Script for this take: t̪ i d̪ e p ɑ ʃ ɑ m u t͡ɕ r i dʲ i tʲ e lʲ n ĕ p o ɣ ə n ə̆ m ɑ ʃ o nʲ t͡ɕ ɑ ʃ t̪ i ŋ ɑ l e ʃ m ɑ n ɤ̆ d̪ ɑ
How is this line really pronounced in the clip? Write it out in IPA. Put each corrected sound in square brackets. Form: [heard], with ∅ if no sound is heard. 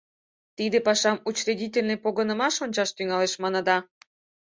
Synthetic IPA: t̪ i d̪ e p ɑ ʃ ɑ m u t͡ɕ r i dʲ i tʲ e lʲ n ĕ p o ɣ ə n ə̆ m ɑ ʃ o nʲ t͡ɕ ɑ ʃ t̪ [y] ŋ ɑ l e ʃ m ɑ n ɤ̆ d̪ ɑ